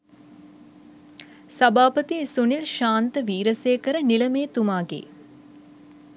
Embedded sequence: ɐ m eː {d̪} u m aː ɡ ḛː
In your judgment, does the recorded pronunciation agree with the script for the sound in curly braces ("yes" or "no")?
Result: no